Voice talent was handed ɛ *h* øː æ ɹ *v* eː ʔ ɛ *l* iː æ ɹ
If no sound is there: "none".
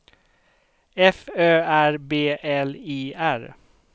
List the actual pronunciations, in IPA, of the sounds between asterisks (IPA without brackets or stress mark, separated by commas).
f, b, l